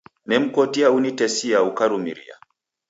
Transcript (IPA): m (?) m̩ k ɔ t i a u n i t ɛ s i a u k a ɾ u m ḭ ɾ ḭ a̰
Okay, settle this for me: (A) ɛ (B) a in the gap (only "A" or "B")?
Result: A